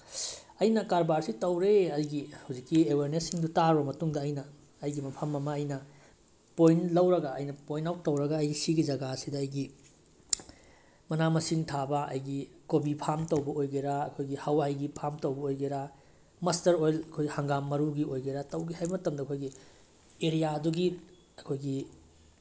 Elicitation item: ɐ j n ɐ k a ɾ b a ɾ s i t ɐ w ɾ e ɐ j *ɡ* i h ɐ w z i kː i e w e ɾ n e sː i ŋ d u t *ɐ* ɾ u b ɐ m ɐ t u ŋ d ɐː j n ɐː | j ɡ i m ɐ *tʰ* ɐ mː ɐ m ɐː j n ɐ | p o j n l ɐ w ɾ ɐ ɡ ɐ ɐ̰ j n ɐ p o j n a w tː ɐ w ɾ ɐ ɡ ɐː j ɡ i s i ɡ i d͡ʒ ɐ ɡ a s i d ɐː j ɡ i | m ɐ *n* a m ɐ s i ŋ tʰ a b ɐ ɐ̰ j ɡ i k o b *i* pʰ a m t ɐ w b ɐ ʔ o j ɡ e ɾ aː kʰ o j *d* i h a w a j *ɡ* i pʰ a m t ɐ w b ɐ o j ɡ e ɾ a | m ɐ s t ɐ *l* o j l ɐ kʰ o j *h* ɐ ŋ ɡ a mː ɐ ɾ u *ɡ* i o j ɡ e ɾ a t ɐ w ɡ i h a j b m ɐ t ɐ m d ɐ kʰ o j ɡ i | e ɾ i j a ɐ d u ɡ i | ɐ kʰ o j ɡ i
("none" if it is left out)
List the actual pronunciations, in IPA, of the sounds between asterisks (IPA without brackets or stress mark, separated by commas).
ɡ, a, pʰ, n, i, ɡ, ɡ, ɾ, h, ɡ